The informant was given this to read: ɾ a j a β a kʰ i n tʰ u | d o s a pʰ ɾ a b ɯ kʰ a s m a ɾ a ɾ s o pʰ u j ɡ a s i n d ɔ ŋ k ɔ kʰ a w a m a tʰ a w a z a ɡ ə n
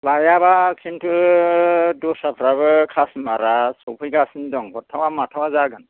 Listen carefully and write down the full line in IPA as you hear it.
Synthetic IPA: l a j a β a kʰ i n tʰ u | d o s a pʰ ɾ a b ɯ kʰ a s m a ɾ a s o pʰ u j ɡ a s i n d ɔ ŋ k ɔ tʰ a w a m a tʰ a w a z a ɡ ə n